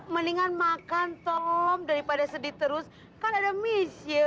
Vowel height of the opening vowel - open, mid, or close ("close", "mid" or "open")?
mid